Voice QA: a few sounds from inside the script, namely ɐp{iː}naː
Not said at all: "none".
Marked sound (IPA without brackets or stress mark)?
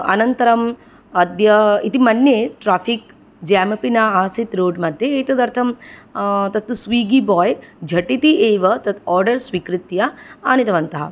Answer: i